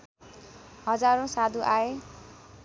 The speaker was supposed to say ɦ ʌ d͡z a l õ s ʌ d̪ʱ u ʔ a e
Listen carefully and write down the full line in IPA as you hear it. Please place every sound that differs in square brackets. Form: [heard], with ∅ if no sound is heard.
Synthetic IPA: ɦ ʌ d͡z a [ɾ] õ s [a] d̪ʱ u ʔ a e